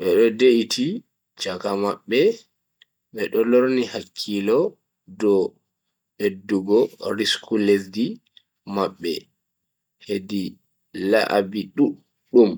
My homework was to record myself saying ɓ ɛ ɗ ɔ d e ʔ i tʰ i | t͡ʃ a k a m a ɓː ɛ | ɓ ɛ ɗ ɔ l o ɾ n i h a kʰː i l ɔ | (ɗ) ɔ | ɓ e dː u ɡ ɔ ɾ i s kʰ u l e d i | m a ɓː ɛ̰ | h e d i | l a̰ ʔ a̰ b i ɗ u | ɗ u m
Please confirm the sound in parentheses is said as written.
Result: no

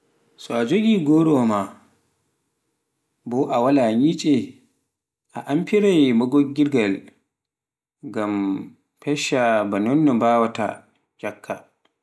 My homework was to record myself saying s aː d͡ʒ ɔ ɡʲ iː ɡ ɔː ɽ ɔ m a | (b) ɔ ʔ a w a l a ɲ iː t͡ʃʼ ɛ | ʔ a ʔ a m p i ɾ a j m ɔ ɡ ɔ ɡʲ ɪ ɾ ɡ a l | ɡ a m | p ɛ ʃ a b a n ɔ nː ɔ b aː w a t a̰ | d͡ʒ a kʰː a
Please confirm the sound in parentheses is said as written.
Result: yes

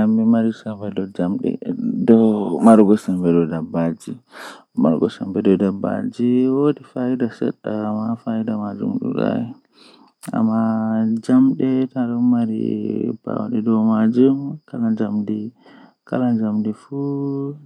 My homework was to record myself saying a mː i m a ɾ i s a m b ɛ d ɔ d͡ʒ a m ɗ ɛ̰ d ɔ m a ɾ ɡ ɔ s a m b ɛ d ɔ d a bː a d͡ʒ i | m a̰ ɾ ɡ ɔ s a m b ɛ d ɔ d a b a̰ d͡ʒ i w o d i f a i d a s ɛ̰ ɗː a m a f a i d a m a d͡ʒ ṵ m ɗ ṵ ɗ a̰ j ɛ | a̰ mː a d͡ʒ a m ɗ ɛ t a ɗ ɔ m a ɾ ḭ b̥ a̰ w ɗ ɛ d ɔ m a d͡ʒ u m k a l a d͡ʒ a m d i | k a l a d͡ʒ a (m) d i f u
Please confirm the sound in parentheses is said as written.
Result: yes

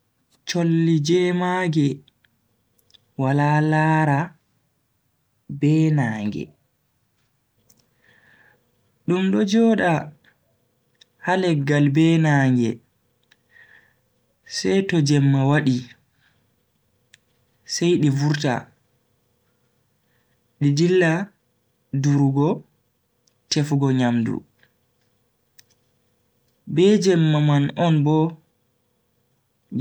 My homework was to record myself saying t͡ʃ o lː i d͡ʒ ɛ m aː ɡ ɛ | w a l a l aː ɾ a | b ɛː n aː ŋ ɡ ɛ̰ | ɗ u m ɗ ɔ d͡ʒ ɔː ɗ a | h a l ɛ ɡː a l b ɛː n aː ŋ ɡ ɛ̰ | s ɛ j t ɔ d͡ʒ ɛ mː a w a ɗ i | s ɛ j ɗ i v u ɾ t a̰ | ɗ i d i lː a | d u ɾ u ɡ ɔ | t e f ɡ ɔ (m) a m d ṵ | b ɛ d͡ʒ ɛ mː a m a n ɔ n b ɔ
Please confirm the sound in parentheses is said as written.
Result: no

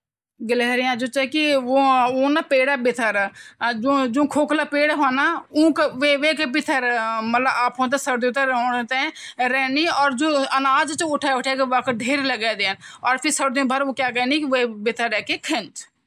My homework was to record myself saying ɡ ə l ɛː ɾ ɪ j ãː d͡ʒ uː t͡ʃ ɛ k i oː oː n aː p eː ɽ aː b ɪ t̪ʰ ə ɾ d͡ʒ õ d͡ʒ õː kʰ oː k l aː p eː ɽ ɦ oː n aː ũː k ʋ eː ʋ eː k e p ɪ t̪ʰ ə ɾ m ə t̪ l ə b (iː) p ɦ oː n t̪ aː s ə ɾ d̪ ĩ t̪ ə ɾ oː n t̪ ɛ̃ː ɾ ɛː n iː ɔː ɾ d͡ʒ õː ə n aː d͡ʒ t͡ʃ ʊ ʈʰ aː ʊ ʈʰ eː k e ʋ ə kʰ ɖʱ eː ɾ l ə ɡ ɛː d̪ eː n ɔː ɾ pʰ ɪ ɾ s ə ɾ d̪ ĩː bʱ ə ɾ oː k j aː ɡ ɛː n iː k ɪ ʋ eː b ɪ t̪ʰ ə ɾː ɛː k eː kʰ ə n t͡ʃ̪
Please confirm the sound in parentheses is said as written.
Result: no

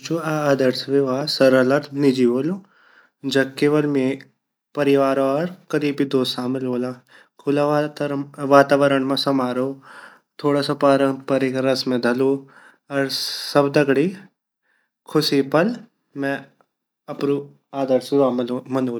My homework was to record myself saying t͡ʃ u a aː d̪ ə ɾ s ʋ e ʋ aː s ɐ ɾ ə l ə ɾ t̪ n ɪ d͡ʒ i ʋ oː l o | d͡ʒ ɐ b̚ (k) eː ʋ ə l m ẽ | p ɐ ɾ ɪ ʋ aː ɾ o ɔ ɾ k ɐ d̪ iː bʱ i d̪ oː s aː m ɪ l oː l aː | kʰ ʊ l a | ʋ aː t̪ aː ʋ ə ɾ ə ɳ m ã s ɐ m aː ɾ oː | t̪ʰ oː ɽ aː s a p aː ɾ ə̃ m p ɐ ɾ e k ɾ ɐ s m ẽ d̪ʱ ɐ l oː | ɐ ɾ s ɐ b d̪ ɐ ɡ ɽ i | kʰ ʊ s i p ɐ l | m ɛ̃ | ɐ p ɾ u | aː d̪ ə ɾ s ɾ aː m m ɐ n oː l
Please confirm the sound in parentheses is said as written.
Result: yes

